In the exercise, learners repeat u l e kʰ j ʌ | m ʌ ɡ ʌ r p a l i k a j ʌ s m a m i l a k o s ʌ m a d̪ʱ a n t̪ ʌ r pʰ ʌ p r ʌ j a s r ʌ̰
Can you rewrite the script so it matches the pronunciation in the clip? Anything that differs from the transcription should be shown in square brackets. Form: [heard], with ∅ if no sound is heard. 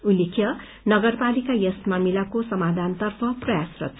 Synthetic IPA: u l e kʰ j ʌ | [n] ʌ ɡ ʌ r p a l i k a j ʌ s m a m i l a k o s ʌ m a d̪ʱ a n t̪ ʌ r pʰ ʌ p r ʌ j a s r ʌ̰